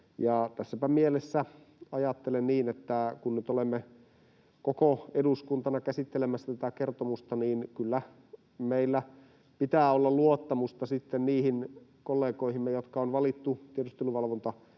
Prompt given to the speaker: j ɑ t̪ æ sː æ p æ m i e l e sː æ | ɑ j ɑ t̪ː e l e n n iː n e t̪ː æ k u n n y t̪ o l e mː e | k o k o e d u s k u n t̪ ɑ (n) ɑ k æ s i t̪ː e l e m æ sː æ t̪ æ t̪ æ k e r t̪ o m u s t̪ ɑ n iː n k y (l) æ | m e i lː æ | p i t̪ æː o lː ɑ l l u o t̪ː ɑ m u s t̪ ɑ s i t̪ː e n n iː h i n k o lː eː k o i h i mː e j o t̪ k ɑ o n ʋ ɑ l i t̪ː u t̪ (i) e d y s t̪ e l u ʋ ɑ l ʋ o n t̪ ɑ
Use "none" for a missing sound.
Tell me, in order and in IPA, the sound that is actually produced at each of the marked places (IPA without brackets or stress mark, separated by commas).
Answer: n, lː, i